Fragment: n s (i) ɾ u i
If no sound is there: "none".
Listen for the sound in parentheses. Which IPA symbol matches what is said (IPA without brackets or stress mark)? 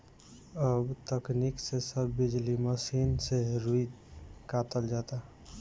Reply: e